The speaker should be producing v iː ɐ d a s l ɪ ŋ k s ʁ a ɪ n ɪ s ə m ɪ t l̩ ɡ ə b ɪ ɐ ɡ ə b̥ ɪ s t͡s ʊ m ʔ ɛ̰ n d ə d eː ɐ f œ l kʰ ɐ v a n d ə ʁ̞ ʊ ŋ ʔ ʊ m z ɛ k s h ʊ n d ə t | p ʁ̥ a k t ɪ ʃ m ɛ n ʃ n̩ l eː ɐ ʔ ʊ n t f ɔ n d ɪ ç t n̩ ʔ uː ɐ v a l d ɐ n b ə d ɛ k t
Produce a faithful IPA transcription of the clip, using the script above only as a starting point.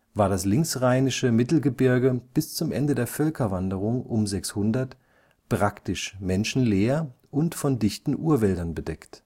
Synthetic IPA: v aː ɐ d a s l ɪ ŋ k s ʁ a ɪ n ɪ ʃ ə m ɪ t l̩ ɡ ə b ɪ ɐ ɡ ə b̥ ɪ s t͡s ʊ m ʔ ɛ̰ n d ə d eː ɐ f œ l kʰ ɐ v a n d ə ʁ̞ ʊ ŋ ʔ ʊ m z ɛ k s h ʊ n d ɐ t | p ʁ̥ a k t ɪ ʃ m ɛ n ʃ n̩ l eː ɐ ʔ ʊ n t f ɔ n d ɪ ç t n̩ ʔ uː ɐ v ɛ l d ɐ n b ə d ɛ k t